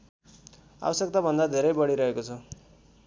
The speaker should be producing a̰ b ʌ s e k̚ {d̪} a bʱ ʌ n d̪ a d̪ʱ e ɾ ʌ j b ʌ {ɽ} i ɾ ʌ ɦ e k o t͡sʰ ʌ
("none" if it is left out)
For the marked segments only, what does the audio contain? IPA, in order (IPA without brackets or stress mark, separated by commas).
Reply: t̪, ɽ